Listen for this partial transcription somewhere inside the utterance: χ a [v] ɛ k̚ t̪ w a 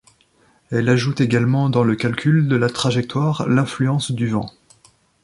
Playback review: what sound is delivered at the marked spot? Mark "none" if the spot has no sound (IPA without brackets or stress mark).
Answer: ʒ